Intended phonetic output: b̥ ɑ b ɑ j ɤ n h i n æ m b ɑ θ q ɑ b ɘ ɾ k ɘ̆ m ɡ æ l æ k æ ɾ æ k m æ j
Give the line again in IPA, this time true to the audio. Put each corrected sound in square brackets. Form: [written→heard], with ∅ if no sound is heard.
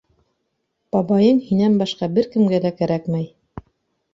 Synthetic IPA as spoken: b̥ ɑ b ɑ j ɤ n h i n æ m b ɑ [θ→ʃ] q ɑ b ɘ ɾ k ɘ̆ m ɡ æ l æ k æ ɾ æ k m æ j